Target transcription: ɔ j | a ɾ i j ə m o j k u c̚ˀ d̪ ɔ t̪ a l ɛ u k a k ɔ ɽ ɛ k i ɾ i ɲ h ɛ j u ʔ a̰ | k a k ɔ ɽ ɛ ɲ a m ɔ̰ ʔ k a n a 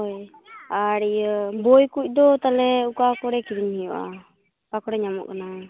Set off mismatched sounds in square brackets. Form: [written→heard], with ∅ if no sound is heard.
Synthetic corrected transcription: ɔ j | a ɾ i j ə [m→b] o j k u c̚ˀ d̪ ɔ t̪ a l ɛ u k a k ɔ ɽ ɛ k i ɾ i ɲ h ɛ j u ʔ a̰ | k a k ɔ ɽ ɛ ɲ a m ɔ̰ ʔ k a n a